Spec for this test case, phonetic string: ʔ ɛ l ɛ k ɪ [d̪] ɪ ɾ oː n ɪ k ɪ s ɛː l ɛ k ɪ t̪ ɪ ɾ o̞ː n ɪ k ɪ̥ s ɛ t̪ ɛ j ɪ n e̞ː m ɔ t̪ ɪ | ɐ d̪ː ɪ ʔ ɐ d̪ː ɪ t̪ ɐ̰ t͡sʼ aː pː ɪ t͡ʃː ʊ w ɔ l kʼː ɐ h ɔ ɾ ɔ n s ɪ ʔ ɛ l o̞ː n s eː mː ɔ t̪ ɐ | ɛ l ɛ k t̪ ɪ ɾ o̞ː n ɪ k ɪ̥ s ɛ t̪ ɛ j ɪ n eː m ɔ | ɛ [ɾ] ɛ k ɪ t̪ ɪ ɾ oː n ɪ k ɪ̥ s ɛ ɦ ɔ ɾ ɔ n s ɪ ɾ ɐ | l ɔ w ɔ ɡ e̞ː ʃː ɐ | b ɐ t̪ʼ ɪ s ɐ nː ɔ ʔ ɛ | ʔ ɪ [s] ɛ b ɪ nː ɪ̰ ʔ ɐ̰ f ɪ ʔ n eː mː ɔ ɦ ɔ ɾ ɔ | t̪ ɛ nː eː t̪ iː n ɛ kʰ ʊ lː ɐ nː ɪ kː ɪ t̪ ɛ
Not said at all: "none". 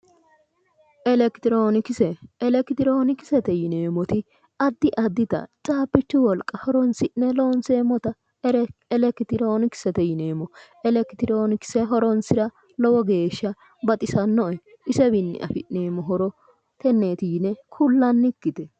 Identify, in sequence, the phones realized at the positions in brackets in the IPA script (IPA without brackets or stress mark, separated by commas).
t̪, l, s